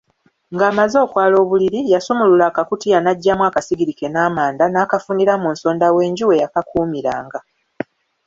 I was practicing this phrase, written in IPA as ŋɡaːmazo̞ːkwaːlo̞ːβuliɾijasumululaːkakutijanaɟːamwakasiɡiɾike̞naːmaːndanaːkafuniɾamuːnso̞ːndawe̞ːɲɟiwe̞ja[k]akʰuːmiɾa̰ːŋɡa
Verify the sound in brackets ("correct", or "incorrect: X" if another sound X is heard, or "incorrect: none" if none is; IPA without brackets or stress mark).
correct